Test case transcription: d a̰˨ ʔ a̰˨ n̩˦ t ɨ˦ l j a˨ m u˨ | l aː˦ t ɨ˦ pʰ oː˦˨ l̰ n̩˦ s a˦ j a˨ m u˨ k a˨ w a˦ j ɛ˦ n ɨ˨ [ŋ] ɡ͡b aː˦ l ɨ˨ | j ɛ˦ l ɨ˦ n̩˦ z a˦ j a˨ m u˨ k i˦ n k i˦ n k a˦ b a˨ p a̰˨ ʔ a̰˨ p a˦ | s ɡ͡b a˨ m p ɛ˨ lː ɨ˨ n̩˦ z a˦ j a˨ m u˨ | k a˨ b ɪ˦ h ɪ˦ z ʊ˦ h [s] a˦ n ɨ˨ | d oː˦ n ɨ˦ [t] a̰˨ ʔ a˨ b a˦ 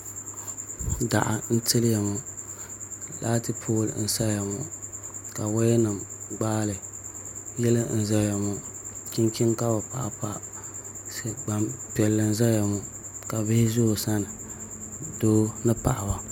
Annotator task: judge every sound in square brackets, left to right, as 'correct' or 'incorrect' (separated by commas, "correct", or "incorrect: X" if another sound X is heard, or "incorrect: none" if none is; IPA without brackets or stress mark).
incorrect: m, correct, incorrect: p